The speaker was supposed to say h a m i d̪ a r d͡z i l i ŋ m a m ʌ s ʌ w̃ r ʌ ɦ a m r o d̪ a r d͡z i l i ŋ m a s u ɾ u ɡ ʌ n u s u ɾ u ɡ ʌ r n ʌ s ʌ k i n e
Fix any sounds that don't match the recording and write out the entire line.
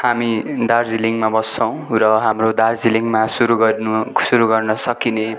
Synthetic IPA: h a m i d̪ a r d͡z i l i ŋ m a b ʌ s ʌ w̃ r ʌ ɦ a m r o d̪ a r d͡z i l i ŋ m a s u ɾ u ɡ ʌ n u s u ɾ u ɡ ʌ r n ʌ s ʌ k i n e